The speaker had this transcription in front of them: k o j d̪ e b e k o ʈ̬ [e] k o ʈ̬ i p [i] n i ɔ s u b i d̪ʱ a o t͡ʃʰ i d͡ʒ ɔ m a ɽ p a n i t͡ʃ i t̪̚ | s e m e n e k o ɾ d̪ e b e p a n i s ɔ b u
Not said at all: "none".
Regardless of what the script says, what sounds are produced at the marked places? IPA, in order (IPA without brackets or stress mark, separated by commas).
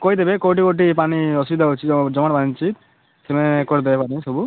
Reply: i, a